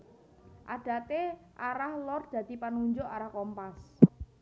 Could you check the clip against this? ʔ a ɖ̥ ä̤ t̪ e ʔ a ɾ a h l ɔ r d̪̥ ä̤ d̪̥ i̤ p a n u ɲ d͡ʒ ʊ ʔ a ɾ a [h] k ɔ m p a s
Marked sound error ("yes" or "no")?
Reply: no